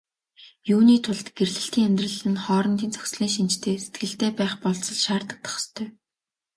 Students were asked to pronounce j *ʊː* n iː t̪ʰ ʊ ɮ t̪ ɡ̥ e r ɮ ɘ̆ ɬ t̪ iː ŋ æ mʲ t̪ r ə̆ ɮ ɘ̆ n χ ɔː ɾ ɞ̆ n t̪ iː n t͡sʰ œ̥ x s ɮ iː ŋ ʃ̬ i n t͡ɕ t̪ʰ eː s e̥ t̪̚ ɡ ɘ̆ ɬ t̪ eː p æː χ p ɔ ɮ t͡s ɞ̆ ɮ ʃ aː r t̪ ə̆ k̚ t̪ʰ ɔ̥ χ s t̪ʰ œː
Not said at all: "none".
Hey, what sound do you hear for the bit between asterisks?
uː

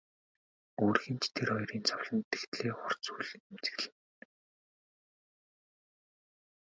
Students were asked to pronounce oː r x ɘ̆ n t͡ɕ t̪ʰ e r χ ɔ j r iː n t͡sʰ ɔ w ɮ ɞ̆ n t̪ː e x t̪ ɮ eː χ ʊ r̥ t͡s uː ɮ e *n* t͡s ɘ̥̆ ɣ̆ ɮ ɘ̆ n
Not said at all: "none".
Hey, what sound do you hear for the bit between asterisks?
m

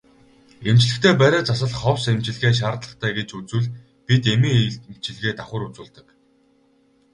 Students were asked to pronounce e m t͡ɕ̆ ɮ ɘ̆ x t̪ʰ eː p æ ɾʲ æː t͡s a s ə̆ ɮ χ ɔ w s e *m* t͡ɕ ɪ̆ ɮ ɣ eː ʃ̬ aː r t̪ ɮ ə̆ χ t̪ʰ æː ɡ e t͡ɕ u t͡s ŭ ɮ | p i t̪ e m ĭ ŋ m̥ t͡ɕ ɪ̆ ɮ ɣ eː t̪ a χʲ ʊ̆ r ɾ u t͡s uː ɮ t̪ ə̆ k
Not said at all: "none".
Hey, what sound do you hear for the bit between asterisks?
m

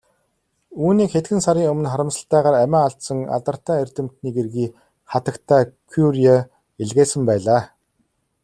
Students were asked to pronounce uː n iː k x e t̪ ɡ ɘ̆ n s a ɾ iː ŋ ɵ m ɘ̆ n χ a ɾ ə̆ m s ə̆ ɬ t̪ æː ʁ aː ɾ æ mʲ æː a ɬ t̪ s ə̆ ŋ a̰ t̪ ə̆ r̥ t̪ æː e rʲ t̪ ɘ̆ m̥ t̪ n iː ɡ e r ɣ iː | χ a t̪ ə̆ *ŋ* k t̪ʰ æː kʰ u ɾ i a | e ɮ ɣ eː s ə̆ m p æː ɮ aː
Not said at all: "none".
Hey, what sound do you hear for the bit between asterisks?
none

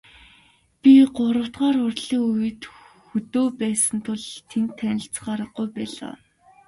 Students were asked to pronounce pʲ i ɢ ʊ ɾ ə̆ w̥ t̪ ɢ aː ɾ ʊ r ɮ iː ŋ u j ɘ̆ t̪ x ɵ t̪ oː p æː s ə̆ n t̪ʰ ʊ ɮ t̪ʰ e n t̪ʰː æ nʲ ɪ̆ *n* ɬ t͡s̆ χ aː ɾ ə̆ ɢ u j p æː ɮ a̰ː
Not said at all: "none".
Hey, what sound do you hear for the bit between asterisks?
none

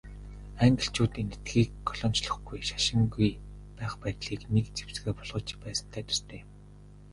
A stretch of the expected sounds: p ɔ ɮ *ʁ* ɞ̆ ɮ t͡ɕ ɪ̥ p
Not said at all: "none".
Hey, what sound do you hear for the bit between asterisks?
ʁ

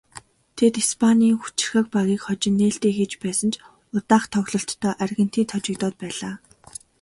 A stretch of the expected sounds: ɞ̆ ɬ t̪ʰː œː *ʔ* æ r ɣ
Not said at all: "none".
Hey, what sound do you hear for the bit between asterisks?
ʔ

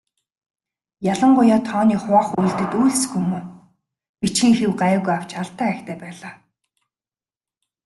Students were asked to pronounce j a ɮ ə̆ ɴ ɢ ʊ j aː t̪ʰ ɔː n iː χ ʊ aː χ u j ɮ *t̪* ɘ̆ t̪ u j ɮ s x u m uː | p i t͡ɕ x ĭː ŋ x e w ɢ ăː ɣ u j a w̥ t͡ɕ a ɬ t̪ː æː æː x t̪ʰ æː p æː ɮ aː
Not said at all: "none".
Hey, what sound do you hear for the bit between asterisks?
t̪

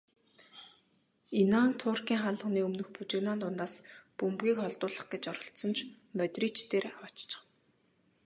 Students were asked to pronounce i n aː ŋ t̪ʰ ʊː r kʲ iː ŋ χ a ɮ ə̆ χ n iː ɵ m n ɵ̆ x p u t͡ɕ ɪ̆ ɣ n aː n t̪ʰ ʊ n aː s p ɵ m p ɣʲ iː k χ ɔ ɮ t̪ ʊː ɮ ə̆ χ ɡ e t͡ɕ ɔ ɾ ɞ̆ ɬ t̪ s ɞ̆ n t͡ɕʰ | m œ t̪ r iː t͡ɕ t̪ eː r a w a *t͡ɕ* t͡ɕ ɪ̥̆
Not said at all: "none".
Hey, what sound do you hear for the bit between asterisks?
t͡ɕ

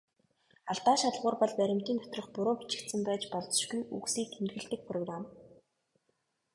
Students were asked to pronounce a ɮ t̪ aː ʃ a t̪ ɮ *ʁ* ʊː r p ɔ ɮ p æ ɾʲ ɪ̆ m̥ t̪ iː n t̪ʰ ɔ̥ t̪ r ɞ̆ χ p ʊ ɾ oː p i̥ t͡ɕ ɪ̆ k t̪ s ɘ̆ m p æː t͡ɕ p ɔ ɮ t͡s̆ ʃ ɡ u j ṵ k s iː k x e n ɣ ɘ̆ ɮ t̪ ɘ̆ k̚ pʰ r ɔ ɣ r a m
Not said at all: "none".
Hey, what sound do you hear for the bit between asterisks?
ʁ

